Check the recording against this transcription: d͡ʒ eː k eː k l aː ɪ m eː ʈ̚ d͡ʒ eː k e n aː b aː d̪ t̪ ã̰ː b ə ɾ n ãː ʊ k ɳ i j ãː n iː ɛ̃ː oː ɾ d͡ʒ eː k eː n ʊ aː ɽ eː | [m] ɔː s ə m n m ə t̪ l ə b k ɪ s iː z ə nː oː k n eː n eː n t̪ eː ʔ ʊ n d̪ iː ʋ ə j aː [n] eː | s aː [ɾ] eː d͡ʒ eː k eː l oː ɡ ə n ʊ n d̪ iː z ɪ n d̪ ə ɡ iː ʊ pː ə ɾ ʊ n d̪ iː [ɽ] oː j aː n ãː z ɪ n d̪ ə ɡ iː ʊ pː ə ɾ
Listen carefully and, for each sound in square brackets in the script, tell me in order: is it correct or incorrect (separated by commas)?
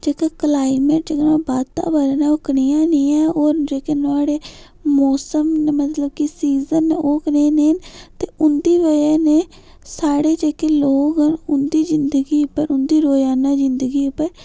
correct, correct, incorrect, incorrect